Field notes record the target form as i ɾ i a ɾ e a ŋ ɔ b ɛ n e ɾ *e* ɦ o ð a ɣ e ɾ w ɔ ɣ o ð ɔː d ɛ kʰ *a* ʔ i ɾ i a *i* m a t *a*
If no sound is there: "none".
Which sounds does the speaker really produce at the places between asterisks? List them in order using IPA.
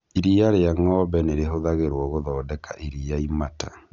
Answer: e, a, i, a

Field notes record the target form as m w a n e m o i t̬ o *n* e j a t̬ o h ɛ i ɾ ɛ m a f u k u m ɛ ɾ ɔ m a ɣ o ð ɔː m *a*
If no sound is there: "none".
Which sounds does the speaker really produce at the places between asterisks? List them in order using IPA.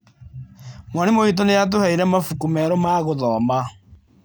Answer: n, a

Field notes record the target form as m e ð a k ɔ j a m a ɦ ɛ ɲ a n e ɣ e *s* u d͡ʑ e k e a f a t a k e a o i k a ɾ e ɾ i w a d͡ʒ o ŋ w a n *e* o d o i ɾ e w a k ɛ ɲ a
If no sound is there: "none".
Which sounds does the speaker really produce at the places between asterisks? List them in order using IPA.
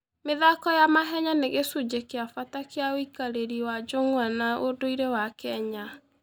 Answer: s, a

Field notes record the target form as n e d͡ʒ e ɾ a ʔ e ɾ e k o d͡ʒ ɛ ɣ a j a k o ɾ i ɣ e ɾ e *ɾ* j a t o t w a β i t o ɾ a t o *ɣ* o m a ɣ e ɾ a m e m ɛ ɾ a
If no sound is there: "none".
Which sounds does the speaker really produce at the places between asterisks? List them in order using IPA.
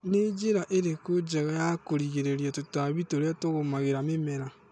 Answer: ɾ, ɣ

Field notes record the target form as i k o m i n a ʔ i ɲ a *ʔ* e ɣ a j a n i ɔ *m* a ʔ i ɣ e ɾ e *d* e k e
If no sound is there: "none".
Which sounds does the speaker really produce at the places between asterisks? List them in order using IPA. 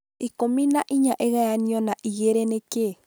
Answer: ʔ, n, n

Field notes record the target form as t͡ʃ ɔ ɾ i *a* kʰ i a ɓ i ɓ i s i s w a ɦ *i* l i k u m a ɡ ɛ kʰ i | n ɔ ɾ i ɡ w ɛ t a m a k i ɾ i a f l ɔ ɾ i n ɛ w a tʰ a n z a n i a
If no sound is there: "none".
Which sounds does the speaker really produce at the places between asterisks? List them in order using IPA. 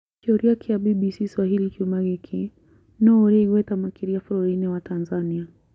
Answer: a, i

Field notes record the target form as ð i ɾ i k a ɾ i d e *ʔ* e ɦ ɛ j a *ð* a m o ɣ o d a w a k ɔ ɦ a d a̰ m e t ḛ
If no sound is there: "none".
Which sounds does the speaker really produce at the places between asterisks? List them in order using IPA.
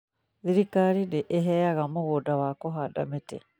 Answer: ʔ, ɣ

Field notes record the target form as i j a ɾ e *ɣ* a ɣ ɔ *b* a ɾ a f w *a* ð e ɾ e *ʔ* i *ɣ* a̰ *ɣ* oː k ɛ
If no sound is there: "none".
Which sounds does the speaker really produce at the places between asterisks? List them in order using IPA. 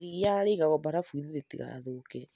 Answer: ɣ, b, i, t, ɣ, ð

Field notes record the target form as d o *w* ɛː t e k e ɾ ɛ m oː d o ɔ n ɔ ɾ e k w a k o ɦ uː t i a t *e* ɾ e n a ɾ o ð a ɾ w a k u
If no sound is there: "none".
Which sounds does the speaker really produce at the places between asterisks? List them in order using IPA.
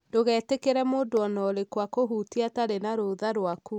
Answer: ɣ, a

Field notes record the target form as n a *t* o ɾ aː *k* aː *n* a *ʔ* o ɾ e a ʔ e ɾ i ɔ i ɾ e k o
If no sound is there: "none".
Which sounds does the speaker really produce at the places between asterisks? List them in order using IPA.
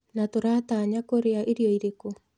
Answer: t, t, ɲ, k

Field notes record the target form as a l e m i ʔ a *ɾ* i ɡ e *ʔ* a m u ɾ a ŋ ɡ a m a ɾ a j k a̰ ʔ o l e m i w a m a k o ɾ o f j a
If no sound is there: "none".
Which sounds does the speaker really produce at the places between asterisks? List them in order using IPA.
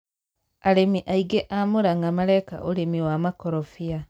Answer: none, ʔ

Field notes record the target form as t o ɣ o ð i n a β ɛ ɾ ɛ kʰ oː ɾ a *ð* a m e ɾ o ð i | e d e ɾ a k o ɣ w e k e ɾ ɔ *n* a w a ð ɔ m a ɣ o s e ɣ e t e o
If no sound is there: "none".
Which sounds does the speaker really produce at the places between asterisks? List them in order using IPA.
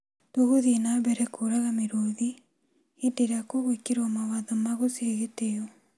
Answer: ɣ, m

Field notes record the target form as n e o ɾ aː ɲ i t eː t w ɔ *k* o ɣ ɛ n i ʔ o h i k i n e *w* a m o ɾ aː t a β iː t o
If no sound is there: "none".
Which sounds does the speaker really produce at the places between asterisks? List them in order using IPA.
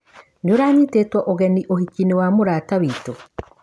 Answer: ʔ, w

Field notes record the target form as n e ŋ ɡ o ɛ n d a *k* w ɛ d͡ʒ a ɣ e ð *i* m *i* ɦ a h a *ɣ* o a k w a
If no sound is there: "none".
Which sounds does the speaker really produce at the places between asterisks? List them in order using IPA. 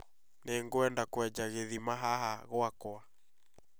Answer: k, i, a, ɣ

